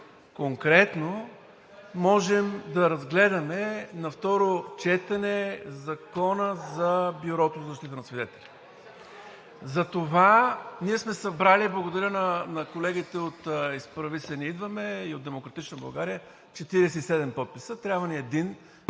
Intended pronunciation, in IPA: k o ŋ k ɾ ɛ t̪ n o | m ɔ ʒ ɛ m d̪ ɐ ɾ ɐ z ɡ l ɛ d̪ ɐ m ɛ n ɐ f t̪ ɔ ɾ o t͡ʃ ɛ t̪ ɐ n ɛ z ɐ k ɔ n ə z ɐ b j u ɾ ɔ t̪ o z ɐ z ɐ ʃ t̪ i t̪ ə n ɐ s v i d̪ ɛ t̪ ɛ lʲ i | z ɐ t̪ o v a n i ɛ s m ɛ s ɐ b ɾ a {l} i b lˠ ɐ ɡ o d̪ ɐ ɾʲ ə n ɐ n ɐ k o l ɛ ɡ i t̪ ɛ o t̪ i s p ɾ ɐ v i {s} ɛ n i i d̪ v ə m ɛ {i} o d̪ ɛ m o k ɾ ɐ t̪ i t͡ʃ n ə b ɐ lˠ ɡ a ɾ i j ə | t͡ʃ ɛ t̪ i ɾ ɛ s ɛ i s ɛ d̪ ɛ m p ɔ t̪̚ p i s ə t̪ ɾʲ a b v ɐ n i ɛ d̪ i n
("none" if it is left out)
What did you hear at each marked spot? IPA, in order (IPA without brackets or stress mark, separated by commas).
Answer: l, s, i